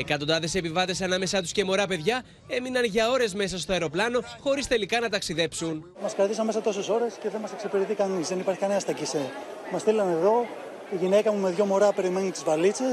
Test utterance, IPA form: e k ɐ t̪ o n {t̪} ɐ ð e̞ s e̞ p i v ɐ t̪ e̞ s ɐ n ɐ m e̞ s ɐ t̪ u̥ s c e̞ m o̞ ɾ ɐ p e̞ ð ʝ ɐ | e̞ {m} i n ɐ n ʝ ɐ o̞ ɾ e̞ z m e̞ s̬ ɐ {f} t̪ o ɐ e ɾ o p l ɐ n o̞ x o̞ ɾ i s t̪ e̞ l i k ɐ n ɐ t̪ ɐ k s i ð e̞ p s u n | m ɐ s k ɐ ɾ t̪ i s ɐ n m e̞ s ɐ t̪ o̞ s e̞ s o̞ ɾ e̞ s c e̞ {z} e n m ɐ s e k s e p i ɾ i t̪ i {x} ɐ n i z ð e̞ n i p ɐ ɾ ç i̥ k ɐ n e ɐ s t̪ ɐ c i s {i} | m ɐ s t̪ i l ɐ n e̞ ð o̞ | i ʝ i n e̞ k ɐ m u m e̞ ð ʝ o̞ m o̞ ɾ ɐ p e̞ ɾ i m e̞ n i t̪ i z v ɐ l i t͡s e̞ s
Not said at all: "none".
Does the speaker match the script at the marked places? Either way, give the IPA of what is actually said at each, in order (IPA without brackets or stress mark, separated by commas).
d̪, m, s, ð, k, e